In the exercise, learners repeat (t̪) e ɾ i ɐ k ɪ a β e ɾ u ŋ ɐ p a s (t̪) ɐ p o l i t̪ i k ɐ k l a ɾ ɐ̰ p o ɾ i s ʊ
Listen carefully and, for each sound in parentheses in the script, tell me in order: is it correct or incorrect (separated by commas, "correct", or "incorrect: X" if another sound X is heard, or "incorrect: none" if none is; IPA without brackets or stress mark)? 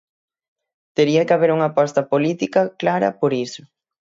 correct, correct